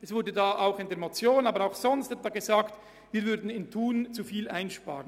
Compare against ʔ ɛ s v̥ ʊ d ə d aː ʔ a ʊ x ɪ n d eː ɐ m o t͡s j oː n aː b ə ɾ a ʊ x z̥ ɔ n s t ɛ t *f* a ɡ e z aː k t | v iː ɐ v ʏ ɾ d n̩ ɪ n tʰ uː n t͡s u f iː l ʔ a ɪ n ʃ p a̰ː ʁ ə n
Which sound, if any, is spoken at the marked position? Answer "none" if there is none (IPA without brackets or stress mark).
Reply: v